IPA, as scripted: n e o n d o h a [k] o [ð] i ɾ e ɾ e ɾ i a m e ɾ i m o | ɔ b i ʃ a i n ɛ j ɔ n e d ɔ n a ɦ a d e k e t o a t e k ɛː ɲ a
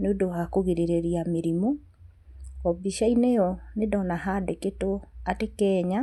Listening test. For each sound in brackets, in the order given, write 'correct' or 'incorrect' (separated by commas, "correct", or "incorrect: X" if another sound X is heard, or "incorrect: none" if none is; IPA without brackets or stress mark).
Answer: correct, incorrect: ɣ